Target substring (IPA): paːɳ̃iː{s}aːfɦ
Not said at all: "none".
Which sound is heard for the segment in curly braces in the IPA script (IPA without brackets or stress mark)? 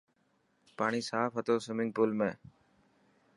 s